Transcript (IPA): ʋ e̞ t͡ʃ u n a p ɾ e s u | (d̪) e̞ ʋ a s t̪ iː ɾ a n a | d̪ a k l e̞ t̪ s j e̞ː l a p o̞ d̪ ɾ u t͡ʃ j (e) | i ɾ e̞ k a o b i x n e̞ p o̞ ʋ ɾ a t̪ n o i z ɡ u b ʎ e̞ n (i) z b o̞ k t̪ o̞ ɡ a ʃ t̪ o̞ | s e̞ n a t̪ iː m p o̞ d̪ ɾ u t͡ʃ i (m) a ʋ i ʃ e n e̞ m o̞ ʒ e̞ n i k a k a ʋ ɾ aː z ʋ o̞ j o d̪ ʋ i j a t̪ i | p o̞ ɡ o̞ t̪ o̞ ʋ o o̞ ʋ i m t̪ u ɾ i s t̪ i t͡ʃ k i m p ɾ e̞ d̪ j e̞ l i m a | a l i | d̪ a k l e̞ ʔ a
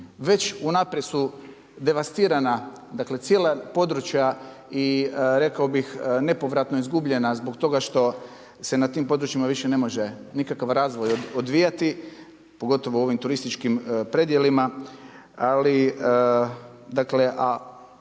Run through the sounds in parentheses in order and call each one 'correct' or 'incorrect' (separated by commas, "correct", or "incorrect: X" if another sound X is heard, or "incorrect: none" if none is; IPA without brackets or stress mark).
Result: correct, incorrect: a, incorrect: a, correct